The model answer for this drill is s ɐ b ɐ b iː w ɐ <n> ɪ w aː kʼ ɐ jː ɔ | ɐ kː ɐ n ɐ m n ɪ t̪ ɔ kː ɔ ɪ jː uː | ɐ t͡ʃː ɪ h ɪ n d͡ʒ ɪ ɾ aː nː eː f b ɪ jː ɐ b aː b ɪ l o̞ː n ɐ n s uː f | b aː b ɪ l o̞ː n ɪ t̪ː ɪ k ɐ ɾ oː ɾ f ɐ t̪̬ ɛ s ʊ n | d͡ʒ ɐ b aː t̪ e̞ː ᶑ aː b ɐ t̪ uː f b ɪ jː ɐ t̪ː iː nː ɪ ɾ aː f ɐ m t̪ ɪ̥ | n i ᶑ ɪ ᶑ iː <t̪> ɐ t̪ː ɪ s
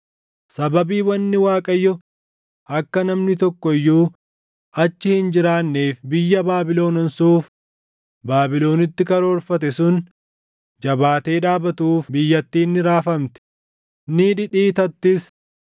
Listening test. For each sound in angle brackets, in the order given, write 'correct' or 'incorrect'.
incorrect: nː, correct

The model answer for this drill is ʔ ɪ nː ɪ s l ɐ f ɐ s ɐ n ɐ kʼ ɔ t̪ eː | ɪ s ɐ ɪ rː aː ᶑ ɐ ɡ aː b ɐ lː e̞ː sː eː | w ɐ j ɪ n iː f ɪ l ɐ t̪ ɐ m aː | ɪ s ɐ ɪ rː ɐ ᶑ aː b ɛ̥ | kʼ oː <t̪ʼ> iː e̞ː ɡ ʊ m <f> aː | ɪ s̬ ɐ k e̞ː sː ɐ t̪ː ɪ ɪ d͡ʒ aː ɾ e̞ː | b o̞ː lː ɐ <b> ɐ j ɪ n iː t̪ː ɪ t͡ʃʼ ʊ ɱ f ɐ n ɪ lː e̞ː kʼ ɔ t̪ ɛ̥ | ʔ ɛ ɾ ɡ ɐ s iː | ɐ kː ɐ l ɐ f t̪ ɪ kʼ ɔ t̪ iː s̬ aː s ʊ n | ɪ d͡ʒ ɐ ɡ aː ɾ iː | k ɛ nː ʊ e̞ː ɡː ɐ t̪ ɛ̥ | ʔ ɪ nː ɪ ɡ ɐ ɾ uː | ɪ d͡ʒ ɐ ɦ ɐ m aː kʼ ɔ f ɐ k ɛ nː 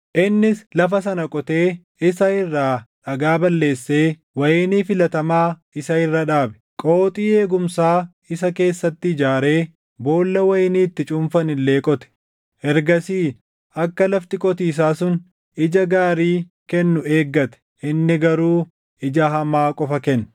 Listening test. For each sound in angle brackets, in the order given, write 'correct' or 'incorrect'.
correct, incorrect: s, incorrect: w

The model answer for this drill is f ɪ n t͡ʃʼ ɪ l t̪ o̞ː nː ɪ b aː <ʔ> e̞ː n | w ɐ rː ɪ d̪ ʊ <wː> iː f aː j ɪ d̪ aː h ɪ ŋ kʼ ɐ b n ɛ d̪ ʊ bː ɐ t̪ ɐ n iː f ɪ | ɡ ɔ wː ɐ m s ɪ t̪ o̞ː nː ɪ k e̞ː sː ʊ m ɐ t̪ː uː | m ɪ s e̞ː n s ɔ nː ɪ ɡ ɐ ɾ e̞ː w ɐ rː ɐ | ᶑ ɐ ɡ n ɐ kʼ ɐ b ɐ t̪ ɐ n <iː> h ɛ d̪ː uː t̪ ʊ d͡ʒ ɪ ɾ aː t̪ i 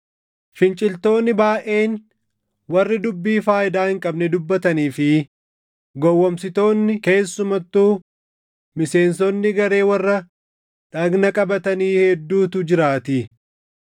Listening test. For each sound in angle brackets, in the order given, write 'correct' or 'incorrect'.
correct, incorrect: bː, correct

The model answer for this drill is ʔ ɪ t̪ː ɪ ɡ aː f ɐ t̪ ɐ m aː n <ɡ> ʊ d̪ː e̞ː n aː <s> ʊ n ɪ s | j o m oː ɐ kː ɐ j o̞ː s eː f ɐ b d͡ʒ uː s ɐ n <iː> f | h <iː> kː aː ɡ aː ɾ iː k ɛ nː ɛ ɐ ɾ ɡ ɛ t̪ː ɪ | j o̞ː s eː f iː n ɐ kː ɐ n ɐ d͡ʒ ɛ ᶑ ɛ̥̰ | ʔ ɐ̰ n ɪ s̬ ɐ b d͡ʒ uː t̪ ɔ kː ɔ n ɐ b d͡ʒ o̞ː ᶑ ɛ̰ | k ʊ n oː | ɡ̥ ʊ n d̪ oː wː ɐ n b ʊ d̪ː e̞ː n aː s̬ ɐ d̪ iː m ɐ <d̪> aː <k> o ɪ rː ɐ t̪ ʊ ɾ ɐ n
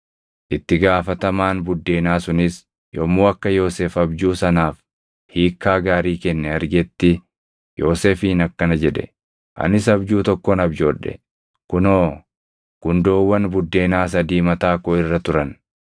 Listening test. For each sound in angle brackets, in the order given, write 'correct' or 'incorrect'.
incorrect: b, correct, incorrect: aː, correct, incorrect: t̪, correct

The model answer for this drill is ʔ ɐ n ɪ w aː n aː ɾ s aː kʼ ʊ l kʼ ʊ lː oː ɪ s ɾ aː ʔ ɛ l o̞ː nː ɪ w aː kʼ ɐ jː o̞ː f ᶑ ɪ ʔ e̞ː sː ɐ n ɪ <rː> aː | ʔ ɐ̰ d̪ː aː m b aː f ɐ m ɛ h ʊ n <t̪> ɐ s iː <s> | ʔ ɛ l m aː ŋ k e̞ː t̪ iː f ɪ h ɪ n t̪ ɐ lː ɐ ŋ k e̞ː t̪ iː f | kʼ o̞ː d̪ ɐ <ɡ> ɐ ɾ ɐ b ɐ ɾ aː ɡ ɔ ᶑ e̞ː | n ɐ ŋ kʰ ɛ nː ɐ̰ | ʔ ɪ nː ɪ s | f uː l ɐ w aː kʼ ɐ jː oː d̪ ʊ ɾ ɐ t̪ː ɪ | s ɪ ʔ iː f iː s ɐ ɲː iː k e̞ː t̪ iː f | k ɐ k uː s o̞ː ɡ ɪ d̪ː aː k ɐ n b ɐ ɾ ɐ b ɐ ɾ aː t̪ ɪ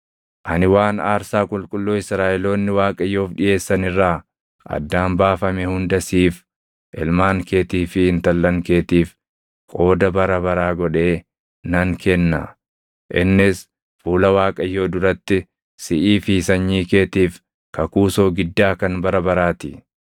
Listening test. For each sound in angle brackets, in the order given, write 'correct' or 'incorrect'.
correct, incorrect: d̪, incorrect: f, incorrect: b

